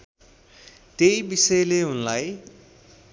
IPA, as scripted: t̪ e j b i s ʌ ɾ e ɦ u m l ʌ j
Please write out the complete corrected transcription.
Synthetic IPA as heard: t̪ e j b i s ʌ l e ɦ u n l a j